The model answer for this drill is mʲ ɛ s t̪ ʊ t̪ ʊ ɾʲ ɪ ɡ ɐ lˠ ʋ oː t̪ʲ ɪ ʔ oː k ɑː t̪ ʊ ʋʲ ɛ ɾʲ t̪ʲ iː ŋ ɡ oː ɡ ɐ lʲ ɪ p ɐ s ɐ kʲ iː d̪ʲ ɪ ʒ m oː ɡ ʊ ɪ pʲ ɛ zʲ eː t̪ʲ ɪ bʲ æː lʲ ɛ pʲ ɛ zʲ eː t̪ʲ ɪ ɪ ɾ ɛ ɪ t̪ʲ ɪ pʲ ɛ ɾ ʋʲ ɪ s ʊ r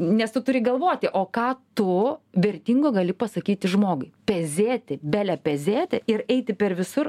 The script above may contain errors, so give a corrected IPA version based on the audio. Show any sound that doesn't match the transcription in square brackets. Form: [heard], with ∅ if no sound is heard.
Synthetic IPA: [nʲ] ɛ s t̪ ʊ t̪ ʊ ɾʲ ɪ ɡ ɐ lˠ ʋ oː t̪ʲ ɪ ʔ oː k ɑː t̪ ʊ ʋʲ ɛ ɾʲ t̪ʲ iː ŋ ɡ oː ɡ ɐ lʲ ɪ p ɐ s ɐ kʲ iː [t̪ʲ] ɪ ʒ m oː ɡ ʊ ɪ pʲ ɛ zʲ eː t̪ʲ ɪ bʲ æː lʲ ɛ pʲ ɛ zʲ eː t̪ʲ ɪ ɪ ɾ ɛ ɪ t̪ʲ ɪ pʲ ɛ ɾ ʋʲ ɪ s ʊ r